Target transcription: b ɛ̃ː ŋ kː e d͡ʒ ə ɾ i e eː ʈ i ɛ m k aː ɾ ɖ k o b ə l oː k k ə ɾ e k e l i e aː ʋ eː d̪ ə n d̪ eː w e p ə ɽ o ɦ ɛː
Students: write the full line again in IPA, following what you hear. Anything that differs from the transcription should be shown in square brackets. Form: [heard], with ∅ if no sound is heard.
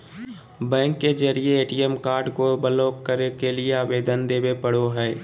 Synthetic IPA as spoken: b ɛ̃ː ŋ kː e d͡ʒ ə ɾ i e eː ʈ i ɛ m k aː ɾ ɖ k o b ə l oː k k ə ɾ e k e l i e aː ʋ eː d̪ ə n d̪ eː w e p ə ɽ o ɦ ɛː